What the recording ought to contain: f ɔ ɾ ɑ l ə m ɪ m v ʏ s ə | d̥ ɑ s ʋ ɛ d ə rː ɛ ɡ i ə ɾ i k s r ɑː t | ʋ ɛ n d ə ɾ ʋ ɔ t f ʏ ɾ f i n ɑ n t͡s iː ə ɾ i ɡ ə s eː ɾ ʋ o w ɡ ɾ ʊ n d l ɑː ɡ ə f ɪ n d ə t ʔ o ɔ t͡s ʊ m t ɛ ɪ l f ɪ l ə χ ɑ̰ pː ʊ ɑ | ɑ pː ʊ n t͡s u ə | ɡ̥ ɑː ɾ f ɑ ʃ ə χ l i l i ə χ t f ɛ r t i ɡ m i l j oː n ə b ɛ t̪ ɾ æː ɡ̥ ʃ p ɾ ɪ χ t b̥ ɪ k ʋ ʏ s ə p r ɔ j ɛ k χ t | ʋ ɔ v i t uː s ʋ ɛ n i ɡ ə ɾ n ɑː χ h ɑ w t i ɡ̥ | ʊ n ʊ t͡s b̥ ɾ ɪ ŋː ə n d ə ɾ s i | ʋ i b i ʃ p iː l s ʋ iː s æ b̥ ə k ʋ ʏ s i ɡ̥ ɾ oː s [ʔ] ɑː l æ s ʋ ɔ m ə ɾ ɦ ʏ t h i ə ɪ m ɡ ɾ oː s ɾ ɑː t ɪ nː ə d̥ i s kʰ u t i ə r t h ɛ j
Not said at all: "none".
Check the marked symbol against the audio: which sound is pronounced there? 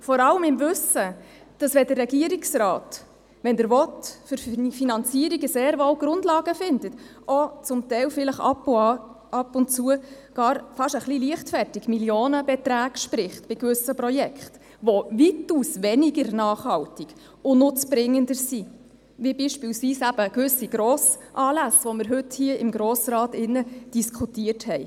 ʔ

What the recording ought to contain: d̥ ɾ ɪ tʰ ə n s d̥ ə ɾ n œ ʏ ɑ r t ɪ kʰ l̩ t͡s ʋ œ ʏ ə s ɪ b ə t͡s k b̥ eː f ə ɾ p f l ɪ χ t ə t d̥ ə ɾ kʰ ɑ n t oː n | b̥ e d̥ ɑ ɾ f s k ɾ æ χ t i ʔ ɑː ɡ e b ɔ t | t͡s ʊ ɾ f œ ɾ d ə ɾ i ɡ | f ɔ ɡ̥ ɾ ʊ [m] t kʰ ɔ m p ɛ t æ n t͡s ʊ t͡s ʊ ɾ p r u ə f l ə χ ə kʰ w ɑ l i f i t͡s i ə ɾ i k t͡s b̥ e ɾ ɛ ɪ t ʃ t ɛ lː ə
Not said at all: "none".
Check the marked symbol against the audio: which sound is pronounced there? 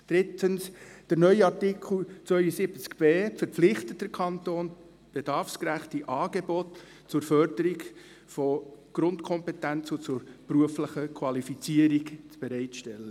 n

